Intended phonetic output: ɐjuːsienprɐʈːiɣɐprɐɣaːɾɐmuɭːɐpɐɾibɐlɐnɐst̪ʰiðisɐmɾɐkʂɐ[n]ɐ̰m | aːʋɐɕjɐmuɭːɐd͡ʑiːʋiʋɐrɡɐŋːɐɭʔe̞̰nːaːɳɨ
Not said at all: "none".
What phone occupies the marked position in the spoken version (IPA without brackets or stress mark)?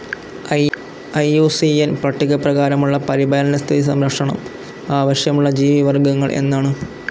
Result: ɳ